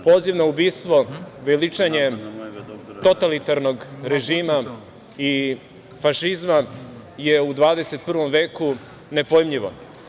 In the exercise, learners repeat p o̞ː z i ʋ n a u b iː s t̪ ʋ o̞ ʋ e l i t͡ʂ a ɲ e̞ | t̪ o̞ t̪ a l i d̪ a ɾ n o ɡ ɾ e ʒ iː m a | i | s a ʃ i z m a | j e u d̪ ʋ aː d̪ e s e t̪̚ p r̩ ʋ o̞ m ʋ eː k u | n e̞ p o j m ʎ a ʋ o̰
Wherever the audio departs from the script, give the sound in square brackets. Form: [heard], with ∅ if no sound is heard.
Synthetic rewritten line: p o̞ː z i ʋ n a u b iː s t̪ ʋ o̞ ʋ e l i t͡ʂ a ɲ e̞ | t̪ o̞ t̪ a l i [t̪] a ɾ n o ɡ ɾ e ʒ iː m a | i | [f] a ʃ i z m a | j e u d̪ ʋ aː d̪ e s e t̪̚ p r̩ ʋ o̞ m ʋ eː k u | n e̞ p o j m ʎ [i] ʋ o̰